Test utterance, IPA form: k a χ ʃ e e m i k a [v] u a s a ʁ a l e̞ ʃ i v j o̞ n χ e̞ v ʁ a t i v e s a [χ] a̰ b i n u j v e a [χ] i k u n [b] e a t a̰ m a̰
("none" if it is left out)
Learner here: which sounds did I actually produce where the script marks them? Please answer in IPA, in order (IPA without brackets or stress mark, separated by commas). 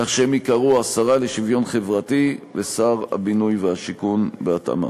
ʁ, ʁ, ʃ, b